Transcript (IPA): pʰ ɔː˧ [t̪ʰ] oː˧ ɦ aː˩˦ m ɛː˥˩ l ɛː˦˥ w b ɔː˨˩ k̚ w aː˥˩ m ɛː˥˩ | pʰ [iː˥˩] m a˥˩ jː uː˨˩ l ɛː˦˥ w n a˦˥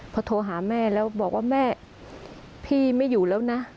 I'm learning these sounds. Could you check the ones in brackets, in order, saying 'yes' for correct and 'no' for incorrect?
yes, yes

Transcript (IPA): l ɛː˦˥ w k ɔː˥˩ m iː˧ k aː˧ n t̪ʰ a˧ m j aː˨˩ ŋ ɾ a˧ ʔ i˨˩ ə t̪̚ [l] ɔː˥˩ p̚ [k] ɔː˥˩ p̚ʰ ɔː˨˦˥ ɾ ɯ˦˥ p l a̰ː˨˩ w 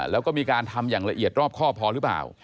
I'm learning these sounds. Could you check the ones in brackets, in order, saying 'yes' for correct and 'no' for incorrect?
no, no

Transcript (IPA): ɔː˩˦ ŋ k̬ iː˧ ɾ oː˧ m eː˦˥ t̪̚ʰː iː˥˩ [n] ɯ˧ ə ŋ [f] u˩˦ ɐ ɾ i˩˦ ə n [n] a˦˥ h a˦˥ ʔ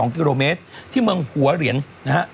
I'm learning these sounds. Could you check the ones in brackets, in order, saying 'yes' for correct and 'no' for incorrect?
no, no, yes

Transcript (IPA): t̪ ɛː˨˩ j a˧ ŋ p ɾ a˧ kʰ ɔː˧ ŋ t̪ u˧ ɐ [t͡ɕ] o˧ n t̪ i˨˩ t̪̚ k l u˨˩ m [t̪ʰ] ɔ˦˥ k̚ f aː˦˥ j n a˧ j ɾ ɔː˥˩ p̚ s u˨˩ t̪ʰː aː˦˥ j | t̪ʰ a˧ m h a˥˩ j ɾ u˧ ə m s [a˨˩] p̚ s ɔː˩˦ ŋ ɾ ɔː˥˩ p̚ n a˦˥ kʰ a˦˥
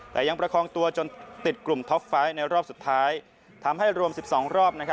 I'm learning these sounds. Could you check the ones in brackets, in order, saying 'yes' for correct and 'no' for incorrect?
yes, yes, no

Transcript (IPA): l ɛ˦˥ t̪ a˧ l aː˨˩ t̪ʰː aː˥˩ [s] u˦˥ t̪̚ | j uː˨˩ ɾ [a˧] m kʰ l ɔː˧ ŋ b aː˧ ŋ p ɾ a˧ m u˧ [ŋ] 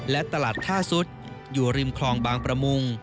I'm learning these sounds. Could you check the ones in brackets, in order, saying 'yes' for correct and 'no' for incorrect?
yes, no, yes

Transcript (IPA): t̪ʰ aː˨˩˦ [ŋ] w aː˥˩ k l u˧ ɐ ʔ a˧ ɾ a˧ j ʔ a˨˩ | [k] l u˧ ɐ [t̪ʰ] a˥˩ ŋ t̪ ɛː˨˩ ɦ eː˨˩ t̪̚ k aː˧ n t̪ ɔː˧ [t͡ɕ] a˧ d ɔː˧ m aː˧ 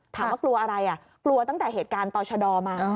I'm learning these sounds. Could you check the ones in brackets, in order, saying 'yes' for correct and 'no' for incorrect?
no, yes, no, no

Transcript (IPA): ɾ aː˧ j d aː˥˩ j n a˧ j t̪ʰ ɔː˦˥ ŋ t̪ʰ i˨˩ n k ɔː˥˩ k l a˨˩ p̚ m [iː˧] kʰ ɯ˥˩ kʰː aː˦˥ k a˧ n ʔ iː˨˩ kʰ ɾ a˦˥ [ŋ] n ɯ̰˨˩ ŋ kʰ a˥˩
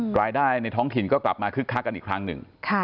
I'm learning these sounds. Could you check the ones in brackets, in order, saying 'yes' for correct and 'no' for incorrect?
no, yes

